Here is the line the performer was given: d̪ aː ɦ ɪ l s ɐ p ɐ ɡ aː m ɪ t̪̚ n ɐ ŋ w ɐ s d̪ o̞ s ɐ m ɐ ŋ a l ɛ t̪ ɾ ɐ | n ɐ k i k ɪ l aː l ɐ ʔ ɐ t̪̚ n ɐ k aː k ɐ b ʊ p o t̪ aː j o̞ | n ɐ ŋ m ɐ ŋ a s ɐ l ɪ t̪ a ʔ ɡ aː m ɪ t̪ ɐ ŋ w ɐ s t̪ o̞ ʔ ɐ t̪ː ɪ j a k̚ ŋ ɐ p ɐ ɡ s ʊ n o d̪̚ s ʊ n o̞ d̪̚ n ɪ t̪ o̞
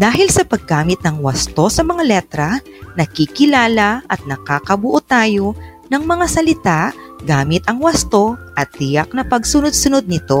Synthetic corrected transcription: d̪ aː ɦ ɪ l s ɐ p ɐ ɡ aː m ɪ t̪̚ n ɐ ŋ w ɐ s t̪ o̞ s ɐ m ɐ ŋ a l ɛ t̪ ɾ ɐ | n ɐ k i k ɪ l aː l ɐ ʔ ɐ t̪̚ n ɐ k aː k ɐ b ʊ ʔ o t̪ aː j o̞ | n ɐ ŋ m ɐ ŋ a s ɐ l ɪ t̪ a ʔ ɡ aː m ɪ t̪ ɐ ŋ w ɐ s t̪ o̞ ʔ ɐ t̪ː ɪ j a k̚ n ɐ p ɐ ɡ s ʊ n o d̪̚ s ʊ n o̞ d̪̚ n ɪ t̪ o̞